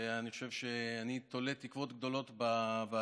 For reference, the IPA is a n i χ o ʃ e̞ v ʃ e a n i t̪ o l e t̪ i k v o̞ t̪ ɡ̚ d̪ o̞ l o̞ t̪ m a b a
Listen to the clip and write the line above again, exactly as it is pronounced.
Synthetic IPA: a n i χ o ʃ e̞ v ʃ e a n i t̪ o l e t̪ i k v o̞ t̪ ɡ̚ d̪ o̞ l o̞ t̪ b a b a